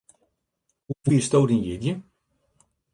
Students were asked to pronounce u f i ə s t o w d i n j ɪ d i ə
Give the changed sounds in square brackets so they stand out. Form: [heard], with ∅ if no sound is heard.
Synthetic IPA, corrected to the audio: u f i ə s t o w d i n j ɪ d [j] ə